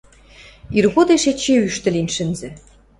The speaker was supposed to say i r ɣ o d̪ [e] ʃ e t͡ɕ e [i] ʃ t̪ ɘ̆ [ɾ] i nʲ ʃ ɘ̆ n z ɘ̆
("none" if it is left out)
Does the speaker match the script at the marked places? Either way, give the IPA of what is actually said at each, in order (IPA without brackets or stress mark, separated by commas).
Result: e, y, l